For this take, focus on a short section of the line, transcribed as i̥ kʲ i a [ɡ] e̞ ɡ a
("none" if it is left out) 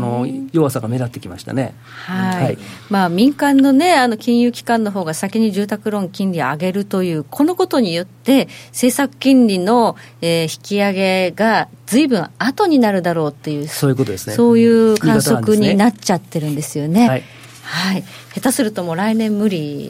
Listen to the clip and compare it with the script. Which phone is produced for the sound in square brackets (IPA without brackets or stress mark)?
ɡ